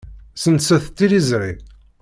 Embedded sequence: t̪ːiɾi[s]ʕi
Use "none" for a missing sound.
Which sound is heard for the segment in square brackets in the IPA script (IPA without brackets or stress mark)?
z